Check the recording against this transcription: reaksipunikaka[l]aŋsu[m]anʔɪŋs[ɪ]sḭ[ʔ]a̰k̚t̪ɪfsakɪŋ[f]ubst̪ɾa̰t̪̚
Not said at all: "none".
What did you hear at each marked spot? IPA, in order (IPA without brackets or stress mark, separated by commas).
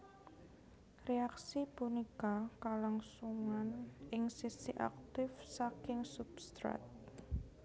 l, ŋ, i, ʔ, s